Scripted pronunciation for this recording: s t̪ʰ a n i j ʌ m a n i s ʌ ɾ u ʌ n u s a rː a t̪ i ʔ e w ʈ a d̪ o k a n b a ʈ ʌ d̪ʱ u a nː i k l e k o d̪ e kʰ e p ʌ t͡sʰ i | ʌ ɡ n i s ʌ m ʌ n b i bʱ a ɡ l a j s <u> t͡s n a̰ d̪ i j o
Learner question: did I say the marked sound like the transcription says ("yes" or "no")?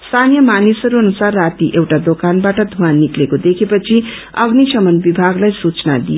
yes